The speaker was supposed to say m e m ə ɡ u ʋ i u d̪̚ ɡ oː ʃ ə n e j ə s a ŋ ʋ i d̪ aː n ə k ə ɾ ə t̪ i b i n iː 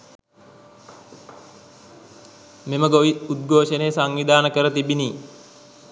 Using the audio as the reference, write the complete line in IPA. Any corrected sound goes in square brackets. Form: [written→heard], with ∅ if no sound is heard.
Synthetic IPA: m e m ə ɡ [u→o] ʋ i u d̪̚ ɡ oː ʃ ə n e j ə s a ŋ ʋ i d̪ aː n ə k ə ɾ ə t̪ i b i n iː